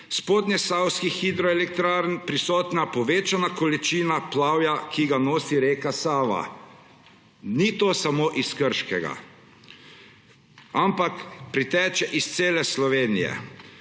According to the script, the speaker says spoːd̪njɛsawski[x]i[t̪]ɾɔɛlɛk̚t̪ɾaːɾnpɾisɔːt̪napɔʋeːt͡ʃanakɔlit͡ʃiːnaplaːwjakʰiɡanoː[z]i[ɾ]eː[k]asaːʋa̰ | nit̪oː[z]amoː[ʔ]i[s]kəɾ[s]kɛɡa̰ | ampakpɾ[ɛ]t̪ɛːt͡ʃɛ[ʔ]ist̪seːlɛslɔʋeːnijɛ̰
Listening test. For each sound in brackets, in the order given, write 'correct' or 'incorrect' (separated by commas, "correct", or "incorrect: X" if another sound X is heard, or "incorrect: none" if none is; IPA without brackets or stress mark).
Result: correct, incorrect: d̪, incorrect: s, correct, correct, incorrect: s, correct, correct, incorrect: ʃ, incorrect: i, correct